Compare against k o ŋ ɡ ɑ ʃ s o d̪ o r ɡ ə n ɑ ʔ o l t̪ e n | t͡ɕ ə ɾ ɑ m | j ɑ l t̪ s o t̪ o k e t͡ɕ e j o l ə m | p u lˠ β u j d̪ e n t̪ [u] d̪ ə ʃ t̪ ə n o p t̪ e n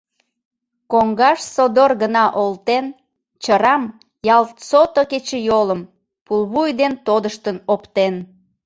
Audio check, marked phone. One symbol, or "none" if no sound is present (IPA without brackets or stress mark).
o